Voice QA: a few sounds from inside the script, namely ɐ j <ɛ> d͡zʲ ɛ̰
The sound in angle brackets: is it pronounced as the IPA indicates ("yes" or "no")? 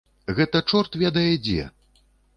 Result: yes